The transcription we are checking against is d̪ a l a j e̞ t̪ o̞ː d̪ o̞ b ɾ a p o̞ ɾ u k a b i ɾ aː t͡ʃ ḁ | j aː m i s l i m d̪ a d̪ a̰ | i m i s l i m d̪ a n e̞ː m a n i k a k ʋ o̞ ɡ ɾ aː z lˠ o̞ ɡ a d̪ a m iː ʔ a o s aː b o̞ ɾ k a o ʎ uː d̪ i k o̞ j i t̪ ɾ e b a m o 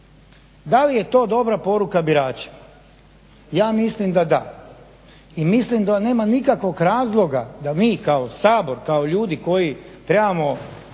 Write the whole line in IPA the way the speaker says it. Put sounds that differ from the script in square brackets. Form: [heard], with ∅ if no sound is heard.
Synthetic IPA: d̪ a l [i] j e̞ t̪ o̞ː d̪ o̞ b ɾ a p o̞ ɾ u k a b i ɾ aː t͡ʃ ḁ | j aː m i s l i m d̪ a d̪ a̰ | i m i s l i m d̪ a n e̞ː m a n i k a k ʋ o̞ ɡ ɾ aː z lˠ o̞ ɡ a d̪ a m iː [k] a o s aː b o̞ ɾ k a o ʎ uː d̪ i k o̞ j i t̪ ɾ e b a m o